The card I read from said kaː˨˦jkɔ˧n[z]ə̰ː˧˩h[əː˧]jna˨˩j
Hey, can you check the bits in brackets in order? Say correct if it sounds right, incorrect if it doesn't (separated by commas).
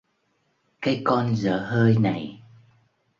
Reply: correct, correct